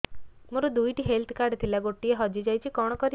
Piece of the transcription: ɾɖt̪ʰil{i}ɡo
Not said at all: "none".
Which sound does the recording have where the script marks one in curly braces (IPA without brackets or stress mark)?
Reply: a